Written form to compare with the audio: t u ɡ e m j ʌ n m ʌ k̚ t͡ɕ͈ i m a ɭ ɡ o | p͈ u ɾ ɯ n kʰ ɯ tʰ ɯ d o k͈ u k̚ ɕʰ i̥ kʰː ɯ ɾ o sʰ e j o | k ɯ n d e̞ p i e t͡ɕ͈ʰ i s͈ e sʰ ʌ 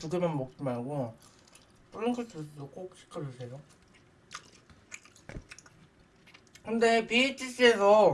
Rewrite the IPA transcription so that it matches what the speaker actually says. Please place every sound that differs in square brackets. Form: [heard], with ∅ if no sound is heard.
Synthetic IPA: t u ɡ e m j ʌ n m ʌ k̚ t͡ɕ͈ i m a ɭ ɡ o | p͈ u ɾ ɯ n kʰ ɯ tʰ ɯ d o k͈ [o] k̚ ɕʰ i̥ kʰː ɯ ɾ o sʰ e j o | k ɯ n d e̞ p i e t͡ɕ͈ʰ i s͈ e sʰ ʌ